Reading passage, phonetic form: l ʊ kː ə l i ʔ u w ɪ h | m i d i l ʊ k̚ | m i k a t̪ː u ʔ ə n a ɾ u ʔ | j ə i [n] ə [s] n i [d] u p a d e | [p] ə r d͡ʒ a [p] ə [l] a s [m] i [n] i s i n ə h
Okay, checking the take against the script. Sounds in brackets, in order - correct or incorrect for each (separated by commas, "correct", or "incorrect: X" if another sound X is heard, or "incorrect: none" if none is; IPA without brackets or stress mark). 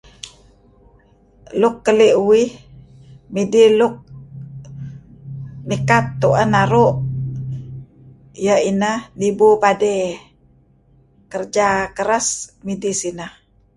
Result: correct, incorrect: h, incorrect: b, incorrect: k, incorrect: k, incorrect: ɾ, correct, incorrect: d